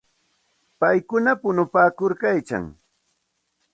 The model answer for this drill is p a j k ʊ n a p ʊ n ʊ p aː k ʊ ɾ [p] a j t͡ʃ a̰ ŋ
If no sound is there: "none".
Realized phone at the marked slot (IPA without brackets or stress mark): k